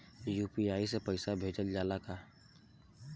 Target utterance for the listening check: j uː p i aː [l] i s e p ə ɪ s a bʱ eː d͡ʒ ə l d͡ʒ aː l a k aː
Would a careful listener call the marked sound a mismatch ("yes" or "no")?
yes